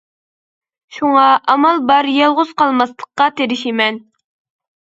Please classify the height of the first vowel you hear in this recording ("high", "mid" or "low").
high